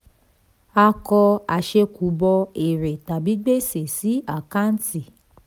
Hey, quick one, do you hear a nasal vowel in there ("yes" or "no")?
no